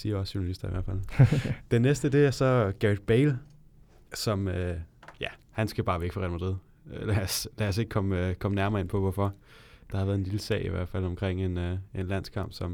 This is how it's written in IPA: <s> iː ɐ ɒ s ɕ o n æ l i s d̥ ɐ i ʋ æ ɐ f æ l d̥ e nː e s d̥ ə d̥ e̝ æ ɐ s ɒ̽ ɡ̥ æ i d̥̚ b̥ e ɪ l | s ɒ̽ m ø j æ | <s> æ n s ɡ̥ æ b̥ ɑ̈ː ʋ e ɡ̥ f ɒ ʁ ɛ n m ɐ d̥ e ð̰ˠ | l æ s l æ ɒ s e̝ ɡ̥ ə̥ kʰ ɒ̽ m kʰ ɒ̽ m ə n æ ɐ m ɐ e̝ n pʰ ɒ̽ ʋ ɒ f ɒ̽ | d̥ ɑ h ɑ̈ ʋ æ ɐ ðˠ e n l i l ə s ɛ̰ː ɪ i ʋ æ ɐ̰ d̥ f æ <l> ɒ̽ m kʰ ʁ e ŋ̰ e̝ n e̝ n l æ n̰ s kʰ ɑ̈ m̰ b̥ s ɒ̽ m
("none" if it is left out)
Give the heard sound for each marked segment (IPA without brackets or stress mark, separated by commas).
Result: s, h, l